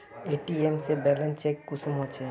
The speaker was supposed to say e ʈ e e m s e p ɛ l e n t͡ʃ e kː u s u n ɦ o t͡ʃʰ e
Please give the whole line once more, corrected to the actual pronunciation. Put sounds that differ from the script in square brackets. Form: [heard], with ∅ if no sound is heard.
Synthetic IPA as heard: e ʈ [i] e m s e [b] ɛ l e n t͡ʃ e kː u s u [m] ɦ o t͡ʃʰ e